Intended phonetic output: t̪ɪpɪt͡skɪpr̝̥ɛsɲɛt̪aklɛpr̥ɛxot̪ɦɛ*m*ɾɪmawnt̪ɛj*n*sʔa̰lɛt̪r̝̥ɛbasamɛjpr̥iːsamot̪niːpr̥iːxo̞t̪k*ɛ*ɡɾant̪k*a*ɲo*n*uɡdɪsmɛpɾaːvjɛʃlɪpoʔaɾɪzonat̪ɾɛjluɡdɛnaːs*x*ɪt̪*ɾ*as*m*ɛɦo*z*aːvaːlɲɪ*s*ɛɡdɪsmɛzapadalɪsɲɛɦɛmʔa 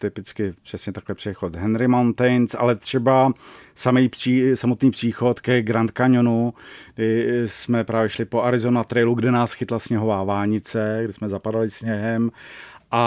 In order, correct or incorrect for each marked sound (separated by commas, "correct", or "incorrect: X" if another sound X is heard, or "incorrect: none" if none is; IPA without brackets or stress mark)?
incorrect: n, correct, correct, correct, correct, correct, incorrect: l, incorrect: ɲ, incorrect: v, incorrect: t͡s